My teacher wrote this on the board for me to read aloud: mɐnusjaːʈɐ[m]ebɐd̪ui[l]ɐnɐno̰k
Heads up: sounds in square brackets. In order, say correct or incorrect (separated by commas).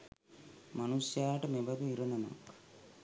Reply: correct, incorrect